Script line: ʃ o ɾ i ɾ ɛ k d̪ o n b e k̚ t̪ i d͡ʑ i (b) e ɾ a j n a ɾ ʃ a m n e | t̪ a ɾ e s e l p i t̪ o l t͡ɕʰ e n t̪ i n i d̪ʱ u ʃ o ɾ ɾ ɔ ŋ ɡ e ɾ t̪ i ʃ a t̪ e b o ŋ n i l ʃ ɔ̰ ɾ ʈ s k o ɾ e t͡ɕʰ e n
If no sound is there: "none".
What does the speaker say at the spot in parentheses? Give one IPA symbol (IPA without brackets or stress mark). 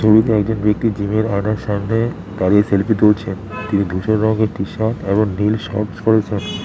m